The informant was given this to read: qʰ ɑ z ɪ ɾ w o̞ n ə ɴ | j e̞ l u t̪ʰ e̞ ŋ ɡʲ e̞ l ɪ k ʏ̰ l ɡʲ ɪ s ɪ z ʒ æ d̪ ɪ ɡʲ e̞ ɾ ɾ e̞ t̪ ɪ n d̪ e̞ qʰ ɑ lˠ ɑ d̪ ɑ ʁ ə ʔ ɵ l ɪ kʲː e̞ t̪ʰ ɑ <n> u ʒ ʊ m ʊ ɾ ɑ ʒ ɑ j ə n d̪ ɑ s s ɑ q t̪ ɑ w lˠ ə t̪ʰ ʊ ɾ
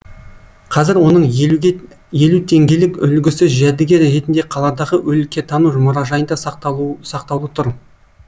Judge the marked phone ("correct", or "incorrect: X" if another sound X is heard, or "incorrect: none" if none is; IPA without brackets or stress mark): correct